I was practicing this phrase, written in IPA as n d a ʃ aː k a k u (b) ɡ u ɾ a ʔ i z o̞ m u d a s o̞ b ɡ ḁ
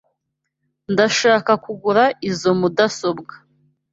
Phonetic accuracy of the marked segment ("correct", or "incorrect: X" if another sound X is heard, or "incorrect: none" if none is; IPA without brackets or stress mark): incorrect: none